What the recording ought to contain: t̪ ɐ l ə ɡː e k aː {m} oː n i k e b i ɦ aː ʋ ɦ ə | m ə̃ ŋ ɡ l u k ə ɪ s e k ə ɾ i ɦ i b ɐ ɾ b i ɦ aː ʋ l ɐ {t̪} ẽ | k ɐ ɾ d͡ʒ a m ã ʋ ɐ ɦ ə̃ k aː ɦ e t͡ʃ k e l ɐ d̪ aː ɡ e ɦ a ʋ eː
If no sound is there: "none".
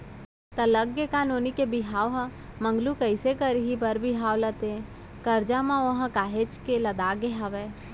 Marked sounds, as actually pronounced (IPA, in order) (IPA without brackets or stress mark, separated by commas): n, t̪